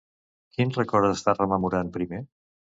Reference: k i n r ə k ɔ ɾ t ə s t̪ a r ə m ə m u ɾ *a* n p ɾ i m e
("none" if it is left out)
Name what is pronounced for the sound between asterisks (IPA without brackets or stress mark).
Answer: a